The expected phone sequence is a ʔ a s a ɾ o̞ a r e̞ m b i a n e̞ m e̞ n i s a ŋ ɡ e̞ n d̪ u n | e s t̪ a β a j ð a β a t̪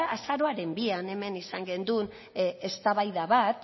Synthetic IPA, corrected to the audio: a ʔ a s a ɾ o̞ a ɾ e̞ m b i a n e̞ m e̞ n i s a ŋ ɡ e̞ n d̪ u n | e s t̪ a β a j ð a β a t̪